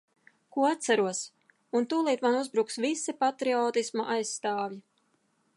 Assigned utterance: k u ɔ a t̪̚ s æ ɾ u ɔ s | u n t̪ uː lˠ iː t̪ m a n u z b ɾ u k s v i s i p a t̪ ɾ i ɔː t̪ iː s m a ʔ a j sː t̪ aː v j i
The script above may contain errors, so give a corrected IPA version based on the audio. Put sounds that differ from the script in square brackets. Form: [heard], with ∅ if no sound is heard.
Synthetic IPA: k u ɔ a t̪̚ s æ ɾ u ɔ s | u n t̪ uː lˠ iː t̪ m a n u z b ɾ u k s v i s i p a t̪ ɾ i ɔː t̪ [i] s m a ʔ a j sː t̪ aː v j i